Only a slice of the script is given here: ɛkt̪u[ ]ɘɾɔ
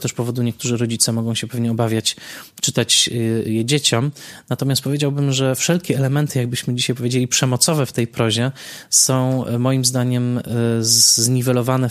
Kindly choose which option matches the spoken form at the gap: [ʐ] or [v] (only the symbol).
ʐ